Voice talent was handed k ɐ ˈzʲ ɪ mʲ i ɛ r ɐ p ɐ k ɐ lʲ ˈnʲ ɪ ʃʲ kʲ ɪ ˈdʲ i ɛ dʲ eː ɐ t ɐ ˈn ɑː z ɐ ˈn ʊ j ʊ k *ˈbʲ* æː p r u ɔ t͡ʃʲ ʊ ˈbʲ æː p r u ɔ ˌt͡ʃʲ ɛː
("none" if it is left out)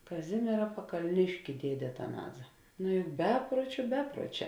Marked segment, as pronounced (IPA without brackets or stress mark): bʲ